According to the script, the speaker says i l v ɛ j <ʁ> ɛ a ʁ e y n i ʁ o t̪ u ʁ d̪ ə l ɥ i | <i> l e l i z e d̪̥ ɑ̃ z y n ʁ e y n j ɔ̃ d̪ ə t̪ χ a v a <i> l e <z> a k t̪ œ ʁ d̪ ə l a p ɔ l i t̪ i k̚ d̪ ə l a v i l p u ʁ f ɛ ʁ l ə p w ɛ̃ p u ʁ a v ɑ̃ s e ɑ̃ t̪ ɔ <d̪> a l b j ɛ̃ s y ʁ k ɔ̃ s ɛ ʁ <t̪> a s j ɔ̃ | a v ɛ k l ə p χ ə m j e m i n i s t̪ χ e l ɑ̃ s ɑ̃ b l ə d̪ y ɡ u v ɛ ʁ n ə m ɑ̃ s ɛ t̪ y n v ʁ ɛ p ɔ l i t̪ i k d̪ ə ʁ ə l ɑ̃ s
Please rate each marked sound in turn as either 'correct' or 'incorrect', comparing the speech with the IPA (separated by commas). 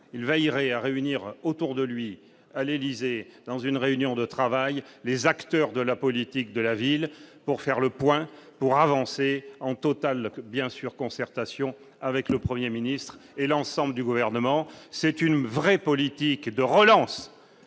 correct, incorrect, incorrect, correct, incorrect, correct